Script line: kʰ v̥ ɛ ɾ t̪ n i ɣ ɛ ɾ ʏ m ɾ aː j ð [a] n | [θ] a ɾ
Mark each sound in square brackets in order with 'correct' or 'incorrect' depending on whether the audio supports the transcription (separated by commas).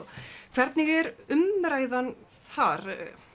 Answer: correct, correct